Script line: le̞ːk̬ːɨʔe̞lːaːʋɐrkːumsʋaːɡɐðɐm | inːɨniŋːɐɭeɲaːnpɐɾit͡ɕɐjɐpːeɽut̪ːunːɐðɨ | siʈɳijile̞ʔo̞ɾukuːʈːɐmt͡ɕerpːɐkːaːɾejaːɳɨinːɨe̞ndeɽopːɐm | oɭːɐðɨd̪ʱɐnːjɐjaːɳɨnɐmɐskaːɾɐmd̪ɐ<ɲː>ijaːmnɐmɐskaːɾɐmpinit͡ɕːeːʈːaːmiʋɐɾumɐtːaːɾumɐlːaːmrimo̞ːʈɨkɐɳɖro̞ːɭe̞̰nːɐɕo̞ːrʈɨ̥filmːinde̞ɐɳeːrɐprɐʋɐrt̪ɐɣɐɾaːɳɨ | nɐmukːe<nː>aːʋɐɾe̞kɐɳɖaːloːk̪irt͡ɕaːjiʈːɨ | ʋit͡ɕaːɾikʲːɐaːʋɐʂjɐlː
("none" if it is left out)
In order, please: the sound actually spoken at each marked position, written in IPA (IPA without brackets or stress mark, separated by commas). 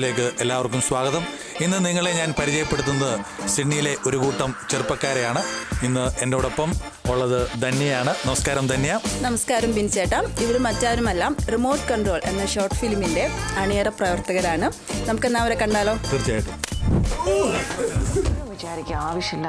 nː, nː